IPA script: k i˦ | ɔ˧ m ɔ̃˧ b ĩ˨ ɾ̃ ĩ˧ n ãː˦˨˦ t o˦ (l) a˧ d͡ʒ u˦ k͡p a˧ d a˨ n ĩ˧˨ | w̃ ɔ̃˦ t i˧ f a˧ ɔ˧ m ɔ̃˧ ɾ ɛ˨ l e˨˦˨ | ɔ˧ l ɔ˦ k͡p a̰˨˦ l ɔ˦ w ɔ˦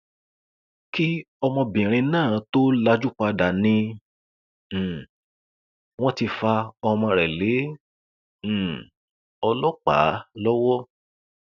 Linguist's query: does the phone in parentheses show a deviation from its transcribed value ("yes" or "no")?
no